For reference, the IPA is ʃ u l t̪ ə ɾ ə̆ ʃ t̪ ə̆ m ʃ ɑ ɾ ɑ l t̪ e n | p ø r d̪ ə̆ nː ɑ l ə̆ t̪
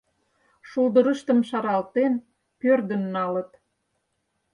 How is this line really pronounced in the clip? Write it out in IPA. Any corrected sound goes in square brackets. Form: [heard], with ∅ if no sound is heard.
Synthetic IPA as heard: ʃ u l [d̪] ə ɾ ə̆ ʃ t̪ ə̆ m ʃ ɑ ɾ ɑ l t̪ e n | p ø r d̪ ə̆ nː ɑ l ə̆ t̪

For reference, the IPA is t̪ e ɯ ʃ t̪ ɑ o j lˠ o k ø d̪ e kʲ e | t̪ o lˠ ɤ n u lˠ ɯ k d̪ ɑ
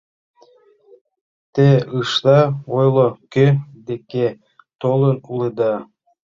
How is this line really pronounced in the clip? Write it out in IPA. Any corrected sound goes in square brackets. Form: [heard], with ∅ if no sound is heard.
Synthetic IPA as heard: t̪ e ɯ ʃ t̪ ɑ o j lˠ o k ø d̪ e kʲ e | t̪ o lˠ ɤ n u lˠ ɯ [∅] d̪ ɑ

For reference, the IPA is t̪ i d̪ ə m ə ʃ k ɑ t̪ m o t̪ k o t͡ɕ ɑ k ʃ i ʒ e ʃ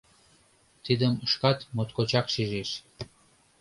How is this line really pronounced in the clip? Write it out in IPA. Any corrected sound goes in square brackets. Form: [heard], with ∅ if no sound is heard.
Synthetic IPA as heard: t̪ i d̪ ə m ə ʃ k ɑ t̪ m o t̪ k o t͡ɕ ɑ k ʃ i ʒ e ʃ

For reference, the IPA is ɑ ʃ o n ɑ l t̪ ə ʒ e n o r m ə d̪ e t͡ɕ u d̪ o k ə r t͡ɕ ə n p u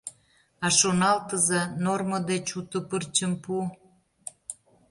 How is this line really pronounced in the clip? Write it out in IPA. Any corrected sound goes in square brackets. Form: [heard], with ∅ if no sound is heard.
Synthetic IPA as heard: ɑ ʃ o n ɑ l t̪ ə [z] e n o r m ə d̪ e t͡ɕ u [t̪] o [p] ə r t͡ɕ ə [m] p u

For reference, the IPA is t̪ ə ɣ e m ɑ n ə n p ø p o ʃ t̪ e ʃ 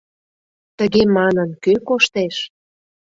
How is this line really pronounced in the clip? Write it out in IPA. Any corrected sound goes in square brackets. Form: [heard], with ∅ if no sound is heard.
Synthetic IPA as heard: t̪ ə ɣ e m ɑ n ə n [k] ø [k] o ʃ t̪ e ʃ

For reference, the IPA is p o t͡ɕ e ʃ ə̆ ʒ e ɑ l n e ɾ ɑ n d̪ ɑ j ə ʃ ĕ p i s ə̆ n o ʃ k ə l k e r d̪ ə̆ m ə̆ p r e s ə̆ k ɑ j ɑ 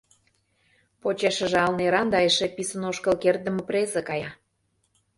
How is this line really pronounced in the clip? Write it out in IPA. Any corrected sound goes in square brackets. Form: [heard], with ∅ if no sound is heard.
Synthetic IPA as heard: p o t͡ɕ e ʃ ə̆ ʒ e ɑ l n e ɾ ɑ n d̪ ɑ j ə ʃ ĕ p i s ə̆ n o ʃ k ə l k e r d̪ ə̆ m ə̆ p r e [z] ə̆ k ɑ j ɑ

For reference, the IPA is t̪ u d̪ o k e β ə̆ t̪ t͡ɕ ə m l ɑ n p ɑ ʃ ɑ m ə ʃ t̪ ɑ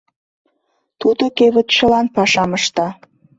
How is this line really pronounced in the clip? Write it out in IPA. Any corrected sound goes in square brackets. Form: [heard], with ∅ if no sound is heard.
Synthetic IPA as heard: t̪ u d̪ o k e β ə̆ t̪ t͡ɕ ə [∅] l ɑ n p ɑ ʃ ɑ m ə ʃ t̪ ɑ

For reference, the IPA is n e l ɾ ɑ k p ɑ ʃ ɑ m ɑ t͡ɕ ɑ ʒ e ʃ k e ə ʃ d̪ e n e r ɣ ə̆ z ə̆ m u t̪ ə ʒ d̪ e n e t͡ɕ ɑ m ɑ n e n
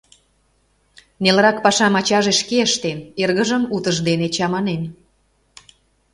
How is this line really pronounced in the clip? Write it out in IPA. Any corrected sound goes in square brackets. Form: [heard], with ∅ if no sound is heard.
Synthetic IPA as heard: n e l ɾ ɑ k p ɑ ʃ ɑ m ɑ t͡ɕ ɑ ʒ e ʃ k e ə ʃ [t̪] e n e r ɣ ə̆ [ʒ] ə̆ m u t̪ ə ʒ d̪ e n e t͡ɕ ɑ m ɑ n e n

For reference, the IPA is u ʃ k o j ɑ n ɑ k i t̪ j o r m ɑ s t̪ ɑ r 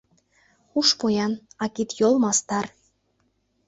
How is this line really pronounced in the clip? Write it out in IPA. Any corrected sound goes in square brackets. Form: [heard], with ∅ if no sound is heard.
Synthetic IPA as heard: u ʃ [p] o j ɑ n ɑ k i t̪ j o [l] m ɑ s t̪ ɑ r

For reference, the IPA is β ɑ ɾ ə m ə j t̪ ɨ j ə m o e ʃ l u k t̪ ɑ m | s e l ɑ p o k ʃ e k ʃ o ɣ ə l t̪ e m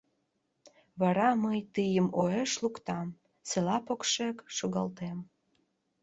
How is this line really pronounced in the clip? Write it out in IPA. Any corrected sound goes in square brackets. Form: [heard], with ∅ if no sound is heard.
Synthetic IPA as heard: β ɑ ɾ [ɑ] m ə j t̪ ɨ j ə m o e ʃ l u k t̪ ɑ m | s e l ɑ p o k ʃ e k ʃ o ɣ [ɑ] l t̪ e m

